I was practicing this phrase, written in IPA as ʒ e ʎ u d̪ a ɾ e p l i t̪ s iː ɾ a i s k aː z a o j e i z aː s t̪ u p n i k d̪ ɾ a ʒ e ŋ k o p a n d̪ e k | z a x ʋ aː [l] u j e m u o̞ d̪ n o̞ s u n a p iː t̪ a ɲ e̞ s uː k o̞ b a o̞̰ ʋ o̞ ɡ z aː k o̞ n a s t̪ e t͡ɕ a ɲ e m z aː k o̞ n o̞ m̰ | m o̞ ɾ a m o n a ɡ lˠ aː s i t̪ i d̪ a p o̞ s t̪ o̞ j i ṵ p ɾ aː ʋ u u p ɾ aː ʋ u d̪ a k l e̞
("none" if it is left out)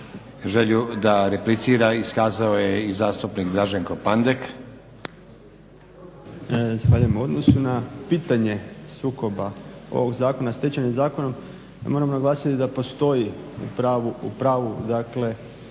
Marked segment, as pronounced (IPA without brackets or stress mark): ʎ